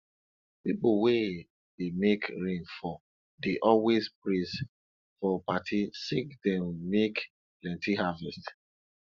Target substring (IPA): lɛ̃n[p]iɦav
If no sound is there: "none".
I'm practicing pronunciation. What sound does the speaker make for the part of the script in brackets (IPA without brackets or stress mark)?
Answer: t